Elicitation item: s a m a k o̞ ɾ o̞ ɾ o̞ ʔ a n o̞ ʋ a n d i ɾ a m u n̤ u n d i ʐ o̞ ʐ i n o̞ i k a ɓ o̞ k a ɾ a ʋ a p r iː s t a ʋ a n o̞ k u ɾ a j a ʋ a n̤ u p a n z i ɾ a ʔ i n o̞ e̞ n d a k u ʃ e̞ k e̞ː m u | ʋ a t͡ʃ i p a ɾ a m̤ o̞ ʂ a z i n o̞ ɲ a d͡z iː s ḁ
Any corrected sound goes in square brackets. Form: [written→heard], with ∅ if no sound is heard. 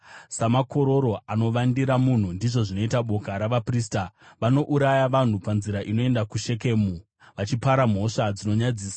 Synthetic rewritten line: s a m a k o̞ ɾ o̞ ɾ o̞ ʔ a n o̞ ʋ a n d i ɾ a m u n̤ u n d i ʐ o̞ ʐ i n o̞ i [k→t] a ɓ o̞ k a ɾ a ʋ a p r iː s t a ʋ a n o̞ [k→ʔ] u ɾ a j a ʋ a n̤ u p a n z i ɾ a ʔ i n o̞ e̞ n d a k u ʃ e̞ k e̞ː m u | ʋ a t͡ʃ i p a ɾ a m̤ o̞ ʂ a [z→d͡z] i n o̞ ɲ a d͡z iː s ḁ